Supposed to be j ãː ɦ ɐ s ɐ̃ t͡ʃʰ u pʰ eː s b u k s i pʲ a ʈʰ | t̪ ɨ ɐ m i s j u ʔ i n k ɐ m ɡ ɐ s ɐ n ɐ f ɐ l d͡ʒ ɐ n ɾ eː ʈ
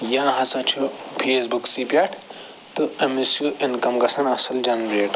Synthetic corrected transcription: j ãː ɦ ɐ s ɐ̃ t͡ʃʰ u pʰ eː s b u k s i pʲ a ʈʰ | t̪ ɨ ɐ m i s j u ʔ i n k ɐ m ɡ ɐ s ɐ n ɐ s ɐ l d͡ʒ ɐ n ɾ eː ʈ